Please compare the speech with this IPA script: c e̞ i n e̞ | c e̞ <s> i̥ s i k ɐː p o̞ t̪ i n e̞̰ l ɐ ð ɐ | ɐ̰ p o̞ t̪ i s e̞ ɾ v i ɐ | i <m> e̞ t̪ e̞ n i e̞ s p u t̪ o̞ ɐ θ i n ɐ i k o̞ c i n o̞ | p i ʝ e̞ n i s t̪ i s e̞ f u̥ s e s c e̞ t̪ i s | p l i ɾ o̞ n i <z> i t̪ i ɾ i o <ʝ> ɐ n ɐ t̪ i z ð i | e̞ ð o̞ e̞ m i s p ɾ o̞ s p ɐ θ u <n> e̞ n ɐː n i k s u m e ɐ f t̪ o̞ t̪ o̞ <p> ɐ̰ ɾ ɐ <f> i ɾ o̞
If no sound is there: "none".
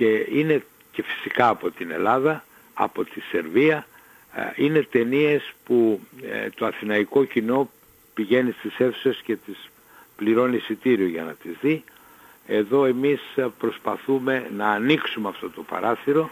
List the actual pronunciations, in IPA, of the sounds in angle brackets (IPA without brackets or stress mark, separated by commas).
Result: f, n, s, ʝ, m, p, θ